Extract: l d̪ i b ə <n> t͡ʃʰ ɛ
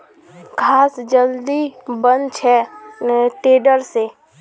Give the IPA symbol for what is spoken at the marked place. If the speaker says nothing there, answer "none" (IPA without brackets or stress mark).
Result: n